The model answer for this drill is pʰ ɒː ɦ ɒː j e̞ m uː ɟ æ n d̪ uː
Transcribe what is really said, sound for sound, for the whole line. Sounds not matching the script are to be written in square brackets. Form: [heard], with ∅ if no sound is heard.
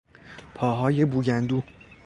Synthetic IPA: pʰ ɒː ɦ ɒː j e̞ [b] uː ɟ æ n d̪ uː